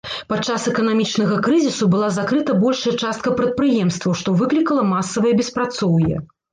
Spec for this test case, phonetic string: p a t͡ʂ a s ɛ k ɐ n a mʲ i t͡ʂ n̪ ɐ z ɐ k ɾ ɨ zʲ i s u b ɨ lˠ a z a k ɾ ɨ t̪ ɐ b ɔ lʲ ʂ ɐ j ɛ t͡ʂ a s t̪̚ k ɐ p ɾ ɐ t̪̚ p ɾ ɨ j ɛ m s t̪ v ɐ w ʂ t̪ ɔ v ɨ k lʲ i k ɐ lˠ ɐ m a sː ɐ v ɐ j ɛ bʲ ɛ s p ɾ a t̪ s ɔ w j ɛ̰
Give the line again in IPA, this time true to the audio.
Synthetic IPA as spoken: p a t͡ʂ a s ɛ k ɐ n a mʲ i t͡ʂ n̪ ɐ ɣ ɐ k ɾ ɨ zʲ i s u b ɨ lˠ a z a k ɾ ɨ t̪ ɐ b ɔ lʲ ʂ ɐ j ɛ t͡ʂ a s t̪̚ k ɐ p ɾ ɐ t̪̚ p ɾ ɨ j ɛ m s t̪ v ɐ w ʂ t̪ ɔ v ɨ k lʲ i k ɐ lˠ ɐ m a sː ɐ v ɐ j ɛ bʲ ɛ s p ɾ a t̪ s ɔ w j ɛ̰